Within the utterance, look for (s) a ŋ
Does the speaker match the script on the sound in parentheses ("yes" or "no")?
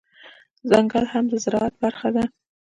no